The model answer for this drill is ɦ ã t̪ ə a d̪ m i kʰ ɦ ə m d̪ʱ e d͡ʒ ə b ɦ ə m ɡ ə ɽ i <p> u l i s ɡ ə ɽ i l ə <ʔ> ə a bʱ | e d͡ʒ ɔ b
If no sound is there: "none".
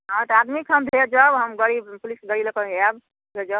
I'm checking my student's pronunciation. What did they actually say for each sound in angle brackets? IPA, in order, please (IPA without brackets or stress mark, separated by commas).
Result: p, k